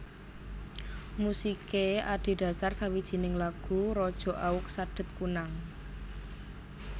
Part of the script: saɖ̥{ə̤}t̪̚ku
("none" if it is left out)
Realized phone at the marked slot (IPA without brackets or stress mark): ə̤